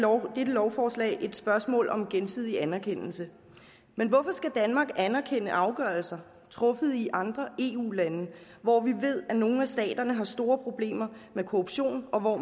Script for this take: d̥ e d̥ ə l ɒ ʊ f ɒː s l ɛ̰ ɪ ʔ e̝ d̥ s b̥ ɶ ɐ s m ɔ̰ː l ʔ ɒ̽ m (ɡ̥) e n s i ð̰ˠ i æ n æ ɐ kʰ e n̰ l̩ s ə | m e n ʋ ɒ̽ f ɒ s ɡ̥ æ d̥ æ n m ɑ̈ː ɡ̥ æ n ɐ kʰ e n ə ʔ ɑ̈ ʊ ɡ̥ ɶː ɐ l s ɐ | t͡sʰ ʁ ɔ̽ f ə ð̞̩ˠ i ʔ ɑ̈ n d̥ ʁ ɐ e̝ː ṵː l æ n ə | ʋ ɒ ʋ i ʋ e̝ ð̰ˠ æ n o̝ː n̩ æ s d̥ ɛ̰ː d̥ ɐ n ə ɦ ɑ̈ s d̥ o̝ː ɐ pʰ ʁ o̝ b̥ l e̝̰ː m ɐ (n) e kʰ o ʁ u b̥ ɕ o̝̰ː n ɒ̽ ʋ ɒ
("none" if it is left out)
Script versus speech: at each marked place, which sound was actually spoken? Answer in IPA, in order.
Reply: ɡ̥, m

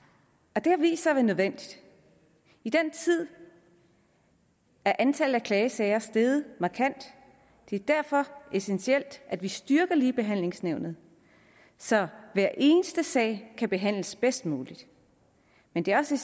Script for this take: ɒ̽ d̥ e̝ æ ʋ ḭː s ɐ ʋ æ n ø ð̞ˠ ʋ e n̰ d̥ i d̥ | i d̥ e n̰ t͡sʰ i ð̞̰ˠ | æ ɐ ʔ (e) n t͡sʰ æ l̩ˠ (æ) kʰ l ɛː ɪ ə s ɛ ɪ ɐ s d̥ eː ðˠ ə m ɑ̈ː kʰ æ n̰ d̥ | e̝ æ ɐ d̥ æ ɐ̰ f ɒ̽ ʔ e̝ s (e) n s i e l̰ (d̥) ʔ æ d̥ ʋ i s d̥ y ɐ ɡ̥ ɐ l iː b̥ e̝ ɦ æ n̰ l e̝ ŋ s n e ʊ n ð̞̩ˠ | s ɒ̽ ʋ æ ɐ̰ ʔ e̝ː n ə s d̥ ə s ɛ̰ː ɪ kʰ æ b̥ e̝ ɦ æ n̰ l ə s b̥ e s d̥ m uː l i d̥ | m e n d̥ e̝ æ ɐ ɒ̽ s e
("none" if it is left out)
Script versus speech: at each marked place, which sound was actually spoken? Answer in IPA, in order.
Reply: æ, æ, e, d̥

